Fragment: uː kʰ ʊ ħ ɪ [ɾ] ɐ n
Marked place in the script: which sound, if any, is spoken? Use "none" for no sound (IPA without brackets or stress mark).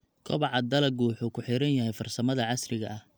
ɾ